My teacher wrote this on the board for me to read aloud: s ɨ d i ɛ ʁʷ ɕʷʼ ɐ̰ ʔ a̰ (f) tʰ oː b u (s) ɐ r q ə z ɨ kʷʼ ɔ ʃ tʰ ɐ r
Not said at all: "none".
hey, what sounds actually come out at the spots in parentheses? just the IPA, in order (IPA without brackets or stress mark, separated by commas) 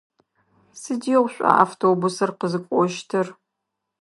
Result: f, s